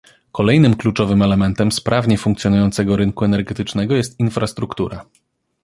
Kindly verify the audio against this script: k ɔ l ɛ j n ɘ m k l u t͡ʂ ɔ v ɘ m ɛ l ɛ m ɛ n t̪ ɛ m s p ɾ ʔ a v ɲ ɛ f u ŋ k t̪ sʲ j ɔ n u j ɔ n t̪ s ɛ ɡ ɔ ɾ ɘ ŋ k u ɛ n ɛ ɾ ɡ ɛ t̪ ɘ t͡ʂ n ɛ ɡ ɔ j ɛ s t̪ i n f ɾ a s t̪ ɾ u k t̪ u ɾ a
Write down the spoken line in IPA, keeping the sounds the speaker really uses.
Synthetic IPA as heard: k ɔ l ɛ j n ɘ m k l u t͡ʂ ɔ v ɘ m ɛ l ɛ m ɛ n t̪ ɛ m s p ɾ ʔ a v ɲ ɛ f u ŋ k t̪ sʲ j ɔ n u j ɔ n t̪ s ɛ ɡ ɔ ɾ ɘ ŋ k u ɛ n ɛ ɾ ɡ ɛ t̪ ɘ t͡ʂ n ɛ ɡ ɔ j ɛ s t̪ i n f ɾ a s t̪ ɾ u k t̪ u ɾ a